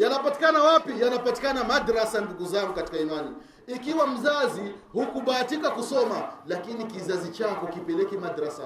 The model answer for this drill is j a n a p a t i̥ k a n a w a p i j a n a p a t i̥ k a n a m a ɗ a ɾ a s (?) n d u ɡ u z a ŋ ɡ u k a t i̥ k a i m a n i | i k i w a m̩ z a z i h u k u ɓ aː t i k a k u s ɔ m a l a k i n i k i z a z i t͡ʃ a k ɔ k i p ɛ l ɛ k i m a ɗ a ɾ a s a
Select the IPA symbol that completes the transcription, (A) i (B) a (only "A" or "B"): B